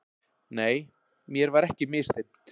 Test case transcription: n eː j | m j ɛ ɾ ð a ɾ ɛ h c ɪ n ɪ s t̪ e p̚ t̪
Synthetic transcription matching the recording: n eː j | m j ɛ ɾ v a ɾ ɛ h c ɪ m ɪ s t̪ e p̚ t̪